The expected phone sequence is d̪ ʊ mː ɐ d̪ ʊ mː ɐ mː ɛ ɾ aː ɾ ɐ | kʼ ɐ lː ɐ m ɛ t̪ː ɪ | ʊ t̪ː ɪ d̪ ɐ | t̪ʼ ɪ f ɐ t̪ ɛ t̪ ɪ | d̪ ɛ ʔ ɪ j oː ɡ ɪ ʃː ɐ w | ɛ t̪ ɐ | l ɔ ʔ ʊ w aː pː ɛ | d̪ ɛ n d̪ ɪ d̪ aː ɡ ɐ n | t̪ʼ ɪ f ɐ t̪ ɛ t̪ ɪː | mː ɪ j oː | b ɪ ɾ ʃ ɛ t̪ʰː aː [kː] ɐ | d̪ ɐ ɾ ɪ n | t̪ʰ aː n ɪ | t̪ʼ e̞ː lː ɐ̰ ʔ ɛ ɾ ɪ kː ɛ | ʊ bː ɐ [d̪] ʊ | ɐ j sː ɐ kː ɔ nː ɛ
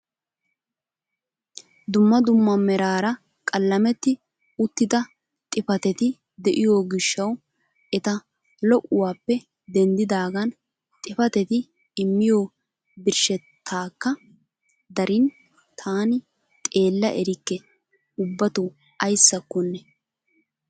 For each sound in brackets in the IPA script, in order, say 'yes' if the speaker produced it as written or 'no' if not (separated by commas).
yes, no